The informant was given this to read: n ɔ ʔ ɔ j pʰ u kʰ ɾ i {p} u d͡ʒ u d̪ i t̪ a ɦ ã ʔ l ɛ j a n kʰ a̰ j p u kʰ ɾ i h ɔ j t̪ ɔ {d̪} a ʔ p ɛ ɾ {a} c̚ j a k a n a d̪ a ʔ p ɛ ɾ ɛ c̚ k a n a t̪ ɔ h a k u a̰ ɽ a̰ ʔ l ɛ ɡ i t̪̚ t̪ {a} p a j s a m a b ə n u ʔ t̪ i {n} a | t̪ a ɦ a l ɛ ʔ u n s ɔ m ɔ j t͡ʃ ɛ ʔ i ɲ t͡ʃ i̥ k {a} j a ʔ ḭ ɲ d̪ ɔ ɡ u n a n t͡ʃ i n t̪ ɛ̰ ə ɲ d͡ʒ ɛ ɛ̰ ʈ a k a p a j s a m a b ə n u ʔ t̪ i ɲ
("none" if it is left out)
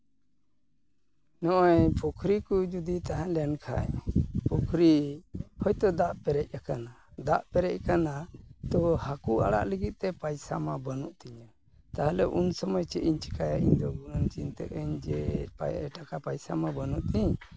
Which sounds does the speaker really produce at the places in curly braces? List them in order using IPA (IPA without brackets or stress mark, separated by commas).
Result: k, d̪, ɛ, ɛ, ɲ, a